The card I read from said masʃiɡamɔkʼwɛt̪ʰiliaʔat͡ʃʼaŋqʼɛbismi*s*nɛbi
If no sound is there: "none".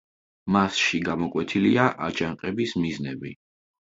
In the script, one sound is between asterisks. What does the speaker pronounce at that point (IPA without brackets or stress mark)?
z